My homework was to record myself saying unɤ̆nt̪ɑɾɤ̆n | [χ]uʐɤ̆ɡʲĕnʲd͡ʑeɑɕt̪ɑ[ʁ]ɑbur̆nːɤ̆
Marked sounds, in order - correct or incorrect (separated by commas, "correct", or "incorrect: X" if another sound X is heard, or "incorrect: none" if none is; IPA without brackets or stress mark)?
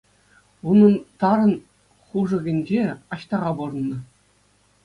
correct, correct